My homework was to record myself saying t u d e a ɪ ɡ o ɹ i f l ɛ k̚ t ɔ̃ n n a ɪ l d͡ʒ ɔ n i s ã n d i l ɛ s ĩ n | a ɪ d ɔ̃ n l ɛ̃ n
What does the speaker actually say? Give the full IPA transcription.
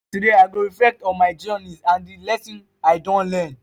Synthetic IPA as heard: t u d e a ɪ ɡ o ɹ i f l ɛ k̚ t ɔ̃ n m a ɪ d͡ʒ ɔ n i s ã n d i l ɛ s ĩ n | a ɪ d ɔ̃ n l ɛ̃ n